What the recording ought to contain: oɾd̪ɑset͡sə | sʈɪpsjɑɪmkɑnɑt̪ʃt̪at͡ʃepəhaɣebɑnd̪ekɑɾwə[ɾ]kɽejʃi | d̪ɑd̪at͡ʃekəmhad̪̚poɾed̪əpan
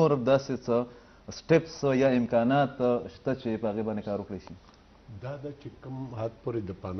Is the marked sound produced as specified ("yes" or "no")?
no